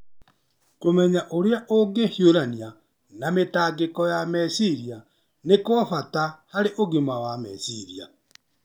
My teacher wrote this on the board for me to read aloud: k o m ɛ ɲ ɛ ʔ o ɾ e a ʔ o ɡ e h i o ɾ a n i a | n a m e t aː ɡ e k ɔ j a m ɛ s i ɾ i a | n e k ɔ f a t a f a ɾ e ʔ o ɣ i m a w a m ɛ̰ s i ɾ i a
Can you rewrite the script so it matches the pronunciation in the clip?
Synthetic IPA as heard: k o m ɛ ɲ a ʔ o ɾ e a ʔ o ɡ e h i o ɾ a n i a | n a m e t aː ɡ e k ɔ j a m ɛ s i ɾ i a | n e k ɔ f a t a h a ɾ e ʔ o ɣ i m a w a m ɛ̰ s i ɾ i a